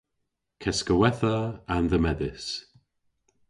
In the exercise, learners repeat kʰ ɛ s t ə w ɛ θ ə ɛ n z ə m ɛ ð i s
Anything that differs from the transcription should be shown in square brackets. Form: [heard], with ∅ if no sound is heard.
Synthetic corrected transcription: kʰ ɛ s [k] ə w ɛ θ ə [a] n [ð] ə m ɛ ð [ɪ] s